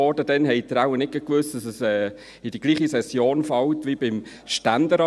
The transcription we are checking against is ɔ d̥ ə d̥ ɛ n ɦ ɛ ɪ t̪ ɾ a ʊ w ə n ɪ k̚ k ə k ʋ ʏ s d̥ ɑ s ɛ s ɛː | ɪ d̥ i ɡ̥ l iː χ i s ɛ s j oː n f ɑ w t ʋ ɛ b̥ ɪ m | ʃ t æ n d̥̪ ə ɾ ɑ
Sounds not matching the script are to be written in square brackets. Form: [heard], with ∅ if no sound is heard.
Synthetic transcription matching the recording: ɔ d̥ ə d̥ ɛ n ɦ ɛ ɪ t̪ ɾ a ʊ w ə n ɪ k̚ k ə k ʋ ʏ s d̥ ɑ s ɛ s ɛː | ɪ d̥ i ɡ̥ l iː χ i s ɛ s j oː n f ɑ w t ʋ [i] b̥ ɪ m | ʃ t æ n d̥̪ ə ɾ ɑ